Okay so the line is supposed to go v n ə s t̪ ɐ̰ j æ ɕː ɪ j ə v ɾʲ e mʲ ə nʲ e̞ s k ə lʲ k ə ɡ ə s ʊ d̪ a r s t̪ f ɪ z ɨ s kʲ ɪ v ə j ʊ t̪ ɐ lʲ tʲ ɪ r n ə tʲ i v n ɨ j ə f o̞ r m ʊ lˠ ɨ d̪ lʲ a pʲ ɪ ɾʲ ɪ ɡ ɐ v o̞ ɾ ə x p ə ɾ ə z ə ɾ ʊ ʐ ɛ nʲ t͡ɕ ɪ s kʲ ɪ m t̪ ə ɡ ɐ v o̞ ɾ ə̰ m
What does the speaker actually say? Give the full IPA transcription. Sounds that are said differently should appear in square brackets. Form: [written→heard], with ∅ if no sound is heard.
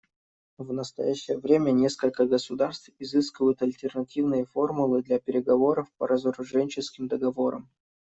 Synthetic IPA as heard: v n ə s t̪ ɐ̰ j æ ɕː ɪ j ə v ɾʲ e mʲ ə nʲ e̞ s k ə lʲ k ə ɡ ə s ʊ d̪ a r s t̪ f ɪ z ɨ s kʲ ɪ v ə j ʊ t̪ ɐ lʲ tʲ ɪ r n [ə→ɐ] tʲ i v n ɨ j ə f o̞ r m ʊ lˠ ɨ d̪ lʲ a pʲ ɪ ɾʲ ɪ ɡ ɐ v o̞ ɾ ə [x→f] p ə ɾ ə z ə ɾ ʊ ʐ ɛ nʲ t͡ɕ ɪ s kʲ ɪ m [t̪→d̪] ə ɡ ɐ v o̞ ɾ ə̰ m